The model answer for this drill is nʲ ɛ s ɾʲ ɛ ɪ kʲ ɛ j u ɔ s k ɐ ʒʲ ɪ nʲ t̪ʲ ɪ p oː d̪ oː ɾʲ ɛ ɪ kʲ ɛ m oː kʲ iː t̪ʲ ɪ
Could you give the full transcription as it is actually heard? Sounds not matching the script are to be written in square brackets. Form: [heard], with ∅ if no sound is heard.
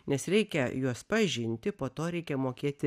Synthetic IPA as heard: nʲ ɛ s ɾʲ ɛ ɪ kʲ ɛ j u ɔ s [p] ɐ ʒʲ ɪ nʲ t̪ʲ ɪ p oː [t̪] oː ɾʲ ɛ ɪ kʲ ɛ m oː kʲ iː t̪ʲ ɪ